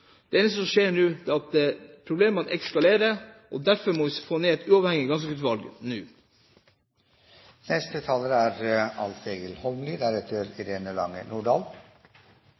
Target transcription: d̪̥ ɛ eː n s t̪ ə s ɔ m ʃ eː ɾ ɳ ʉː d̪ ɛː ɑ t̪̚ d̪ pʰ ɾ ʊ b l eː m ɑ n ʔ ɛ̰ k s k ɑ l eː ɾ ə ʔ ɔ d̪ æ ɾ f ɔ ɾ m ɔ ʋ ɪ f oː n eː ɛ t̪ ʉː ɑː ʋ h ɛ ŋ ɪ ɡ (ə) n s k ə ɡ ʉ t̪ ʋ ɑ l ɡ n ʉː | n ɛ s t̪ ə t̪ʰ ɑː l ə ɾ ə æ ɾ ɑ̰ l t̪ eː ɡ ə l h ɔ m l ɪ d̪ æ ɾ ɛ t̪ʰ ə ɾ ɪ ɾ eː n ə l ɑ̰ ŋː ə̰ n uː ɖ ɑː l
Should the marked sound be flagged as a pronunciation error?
yes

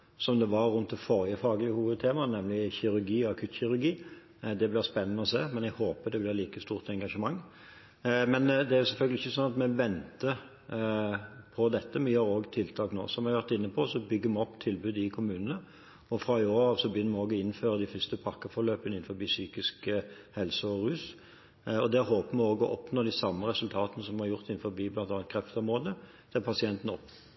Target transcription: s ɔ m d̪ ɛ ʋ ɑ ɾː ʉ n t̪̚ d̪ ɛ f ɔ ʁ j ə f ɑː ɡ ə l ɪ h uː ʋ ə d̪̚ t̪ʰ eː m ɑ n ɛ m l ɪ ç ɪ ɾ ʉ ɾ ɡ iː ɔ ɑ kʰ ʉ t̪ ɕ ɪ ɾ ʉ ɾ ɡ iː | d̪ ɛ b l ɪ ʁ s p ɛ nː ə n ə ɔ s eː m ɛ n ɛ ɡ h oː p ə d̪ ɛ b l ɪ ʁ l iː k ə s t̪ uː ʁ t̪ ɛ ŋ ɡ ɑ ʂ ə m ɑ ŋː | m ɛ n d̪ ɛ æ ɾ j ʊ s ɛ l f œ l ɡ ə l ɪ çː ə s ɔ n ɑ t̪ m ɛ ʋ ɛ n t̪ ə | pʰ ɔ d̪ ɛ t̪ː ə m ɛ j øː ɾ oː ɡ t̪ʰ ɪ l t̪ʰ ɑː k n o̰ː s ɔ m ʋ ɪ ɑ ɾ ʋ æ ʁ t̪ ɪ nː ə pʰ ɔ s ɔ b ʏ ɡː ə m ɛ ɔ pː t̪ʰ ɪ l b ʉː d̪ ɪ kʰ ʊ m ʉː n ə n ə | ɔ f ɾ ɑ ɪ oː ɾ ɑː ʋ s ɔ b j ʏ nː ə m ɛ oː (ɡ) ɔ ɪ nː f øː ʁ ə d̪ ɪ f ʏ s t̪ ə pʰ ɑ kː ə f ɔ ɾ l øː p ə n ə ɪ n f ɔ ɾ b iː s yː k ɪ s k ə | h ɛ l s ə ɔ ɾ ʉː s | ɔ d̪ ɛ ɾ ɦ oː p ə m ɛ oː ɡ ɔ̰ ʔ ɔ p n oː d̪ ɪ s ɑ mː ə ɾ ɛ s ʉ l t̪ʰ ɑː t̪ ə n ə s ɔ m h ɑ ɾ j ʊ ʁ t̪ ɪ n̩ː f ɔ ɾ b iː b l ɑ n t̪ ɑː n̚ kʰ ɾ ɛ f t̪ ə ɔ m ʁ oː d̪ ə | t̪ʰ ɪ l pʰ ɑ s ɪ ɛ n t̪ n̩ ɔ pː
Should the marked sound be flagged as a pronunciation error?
no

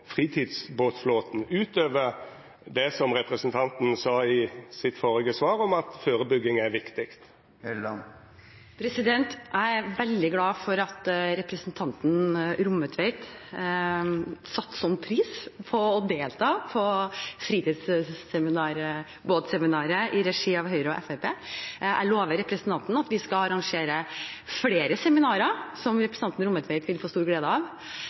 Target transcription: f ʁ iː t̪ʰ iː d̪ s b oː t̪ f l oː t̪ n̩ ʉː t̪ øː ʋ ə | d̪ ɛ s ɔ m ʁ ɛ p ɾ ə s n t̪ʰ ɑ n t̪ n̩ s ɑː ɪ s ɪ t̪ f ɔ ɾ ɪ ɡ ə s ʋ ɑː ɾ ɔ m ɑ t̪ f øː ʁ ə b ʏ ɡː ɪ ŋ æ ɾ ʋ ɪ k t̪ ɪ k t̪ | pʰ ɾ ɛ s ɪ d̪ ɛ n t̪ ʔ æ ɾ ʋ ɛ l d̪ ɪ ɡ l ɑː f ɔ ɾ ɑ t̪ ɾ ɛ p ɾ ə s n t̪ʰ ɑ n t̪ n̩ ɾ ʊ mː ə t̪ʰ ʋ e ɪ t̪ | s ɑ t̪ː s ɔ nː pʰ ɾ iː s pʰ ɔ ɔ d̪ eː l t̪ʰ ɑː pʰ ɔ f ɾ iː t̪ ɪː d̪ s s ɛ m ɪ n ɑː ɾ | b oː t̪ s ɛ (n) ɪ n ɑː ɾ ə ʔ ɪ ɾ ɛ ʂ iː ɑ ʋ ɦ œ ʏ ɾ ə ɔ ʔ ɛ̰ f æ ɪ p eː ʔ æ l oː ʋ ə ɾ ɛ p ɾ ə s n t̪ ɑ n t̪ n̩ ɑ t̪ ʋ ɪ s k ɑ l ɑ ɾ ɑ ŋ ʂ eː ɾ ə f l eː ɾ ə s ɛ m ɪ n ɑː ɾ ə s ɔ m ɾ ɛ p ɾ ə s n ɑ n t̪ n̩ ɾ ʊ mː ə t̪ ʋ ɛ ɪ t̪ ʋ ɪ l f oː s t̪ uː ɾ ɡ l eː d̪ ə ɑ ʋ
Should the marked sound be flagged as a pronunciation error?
yes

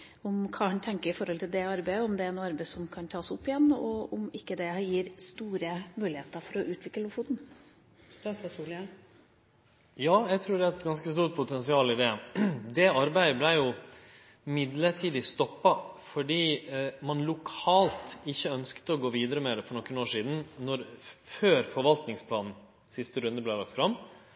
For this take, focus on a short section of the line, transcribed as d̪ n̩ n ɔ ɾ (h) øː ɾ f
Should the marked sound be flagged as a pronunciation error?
yes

